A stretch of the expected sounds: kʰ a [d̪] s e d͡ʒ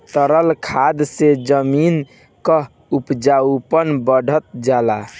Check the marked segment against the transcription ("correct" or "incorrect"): correct